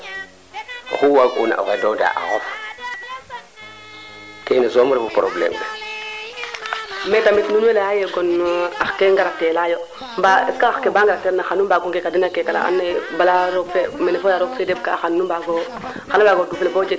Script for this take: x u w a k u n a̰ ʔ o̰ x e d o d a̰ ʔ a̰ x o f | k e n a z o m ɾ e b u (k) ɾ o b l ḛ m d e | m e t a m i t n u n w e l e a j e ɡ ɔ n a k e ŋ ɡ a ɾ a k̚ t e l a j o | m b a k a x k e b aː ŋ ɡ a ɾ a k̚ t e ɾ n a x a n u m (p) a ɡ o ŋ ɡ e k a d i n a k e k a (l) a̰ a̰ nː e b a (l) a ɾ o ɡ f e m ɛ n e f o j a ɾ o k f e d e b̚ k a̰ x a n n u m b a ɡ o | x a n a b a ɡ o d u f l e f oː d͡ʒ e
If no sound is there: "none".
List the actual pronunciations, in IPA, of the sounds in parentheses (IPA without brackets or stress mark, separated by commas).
p, b, l, l